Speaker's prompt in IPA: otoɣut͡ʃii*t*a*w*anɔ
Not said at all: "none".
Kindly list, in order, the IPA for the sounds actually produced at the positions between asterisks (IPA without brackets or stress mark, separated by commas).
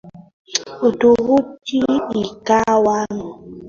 k, w